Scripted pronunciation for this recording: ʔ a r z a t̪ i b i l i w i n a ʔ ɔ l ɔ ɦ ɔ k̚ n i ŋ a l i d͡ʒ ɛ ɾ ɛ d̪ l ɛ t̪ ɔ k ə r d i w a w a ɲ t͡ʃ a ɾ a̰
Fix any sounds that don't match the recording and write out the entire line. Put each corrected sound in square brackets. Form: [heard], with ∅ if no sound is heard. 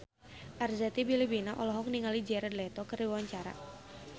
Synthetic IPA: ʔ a r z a t̪ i b i l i [b] i n a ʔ ɔ l ɔ ɦ ɔ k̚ n i ŋ a l i d͡ʒ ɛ ɾ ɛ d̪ l ɛ t̪ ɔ k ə r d i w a w a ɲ t͡ʃ a ɾ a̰